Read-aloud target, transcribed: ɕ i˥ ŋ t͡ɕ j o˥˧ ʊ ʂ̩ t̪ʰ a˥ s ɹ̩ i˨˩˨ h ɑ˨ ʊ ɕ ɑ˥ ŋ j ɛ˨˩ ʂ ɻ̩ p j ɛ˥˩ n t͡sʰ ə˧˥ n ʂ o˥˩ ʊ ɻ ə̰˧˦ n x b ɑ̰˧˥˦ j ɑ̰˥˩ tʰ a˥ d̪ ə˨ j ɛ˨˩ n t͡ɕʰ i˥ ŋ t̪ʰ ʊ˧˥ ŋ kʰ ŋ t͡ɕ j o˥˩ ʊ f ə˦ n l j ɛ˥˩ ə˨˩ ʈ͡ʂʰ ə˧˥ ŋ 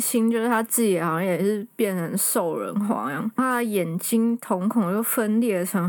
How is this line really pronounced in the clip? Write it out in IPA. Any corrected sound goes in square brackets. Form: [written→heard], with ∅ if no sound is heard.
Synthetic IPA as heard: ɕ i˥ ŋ t͡ɕ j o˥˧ ʊ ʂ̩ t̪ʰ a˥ [s→t͡s] ɹ̩ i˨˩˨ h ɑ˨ ʊ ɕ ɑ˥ ŋ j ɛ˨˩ ʂ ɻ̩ p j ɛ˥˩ n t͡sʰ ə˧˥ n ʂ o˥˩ ʊ ɻ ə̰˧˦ n x [b→w] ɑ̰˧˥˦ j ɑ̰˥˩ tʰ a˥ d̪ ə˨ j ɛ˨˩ n [t͡ɕʰ→t͡ɕ] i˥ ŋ t̪ʰ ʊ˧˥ ŋ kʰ ŋ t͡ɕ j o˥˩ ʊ f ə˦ n l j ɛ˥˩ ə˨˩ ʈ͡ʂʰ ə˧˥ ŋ